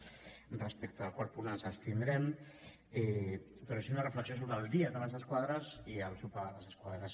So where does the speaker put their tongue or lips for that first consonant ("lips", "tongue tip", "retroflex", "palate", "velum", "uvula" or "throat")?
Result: tongue tip